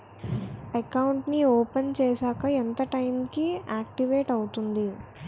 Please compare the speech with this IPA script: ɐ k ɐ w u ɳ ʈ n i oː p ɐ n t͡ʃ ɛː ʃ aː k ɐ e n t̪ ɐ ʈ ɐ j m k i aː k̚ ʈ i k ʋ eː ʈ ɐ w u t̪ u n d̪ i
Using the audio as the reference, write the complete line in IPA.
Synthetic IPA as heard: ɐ k ɐ w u ɳ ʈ n i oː p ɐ n t͡ʃ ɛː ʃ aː k ɐ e n t̪ ɐ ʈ ɐ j m k i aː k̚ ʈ i ʋ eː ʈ ɐ w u t̪ u n d̪ i